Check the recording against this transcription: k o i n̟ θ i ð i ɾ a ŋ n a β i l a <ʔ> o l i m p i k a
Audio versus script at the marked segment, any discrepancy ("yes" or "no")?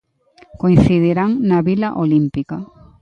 no